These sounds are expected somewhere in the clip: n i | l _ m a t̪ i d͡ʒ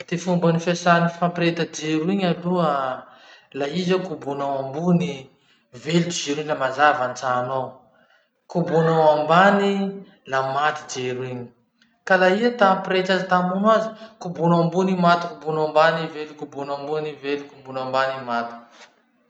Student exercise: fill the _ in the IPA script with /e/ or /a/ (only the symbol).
a